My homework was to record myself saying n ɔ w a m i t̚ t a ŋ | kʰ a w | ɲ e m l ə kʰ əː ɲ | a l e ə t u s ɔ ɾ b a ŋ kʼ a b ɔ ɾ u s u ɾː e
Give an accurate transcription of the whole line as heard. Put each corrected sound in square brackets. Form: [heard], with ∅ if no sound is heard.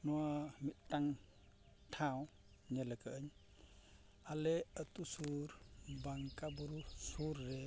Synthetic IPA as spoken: n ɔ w a m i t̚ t a ŋ | [tʰ] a w | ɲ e [∅] l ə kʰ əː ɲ | a l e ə t u s [u] ɾ b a ŋ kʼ a b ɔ ɾ u s u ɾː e

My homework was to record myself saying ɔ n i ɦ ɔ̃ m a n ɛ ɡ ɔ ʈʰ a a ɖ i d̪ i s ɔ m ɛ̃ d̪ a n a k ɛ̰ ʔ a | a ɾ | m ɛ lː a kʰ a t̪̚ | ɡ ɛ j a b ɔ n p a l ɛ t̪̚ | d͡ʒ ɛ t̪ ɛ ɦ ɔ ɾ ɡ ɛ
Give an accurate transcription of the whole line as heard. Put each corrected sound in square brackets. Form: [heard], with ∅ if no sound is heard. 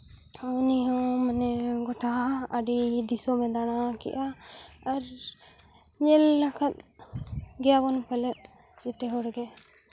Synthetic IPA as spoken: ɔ n i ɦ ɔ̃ m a n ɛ ɡ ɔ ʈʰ a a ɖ i d̪ i s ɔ m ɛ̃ d̪ a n a k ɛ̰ ʔ a | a ɾ | [ɲ] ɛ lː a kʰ a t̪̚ | ɡ ɛ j a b ɔ n p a l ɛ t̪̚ | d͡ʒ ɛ t̪ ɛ ɦ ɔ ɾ ɡ ɛ

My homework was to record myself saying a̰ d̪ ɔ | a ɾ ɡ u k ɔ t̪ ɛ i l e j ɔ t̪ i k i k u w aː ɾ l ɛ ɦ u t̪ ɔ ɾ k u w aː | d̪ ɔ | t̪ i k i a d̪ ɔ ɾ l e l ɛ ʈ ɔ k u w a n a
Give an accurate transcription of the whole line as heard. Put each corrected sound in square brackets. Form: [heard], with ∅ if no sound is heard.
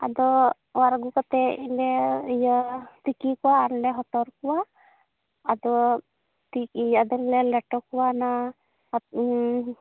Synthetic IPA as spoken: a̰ d̪ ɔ | a ɾ ɡ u k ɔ t̪ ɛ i l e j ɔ t̪ i k i k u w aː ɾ l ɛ ɦ [ɔ] t̪ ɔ ɾ k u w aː | d̪ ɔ | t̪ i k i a d̪ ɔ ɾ l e l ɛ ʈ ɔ k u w a n a

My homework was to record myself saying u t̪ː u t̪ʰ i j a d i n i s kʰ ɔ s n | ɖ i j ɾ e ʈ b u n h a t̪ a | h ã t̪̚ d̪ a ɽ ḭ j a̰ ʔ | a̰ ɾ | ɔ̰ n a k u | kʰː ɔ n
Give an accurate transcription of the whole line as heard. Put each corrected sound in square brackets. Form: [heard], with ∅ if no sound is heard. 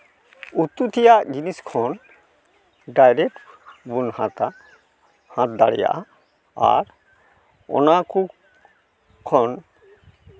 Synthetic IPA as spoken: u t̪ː u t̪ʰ i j a [d͡ʑ] i n i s kʰ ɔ [∅] n | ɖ [a] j ɾ e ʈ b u n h a t̪ a | h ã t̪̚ d̪ a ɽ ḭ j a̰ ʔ | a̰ ɾ | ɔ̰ n a k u | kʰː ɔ n

